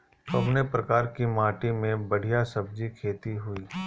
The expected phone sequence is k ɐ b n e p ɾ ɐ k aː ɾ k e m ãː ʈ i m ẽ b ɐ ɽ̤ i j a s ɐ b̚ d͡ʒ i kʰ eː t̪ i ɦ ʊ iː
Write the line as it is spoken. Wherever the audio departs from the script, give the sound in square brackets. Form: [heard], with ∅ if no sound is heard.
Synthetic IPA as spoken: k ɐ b n e p ɾ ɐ k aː ɾ k [i] m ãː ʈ i m ẽ b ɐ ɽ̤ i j a s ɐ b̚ d͡ʒ i kʰ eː t̪ i ɦ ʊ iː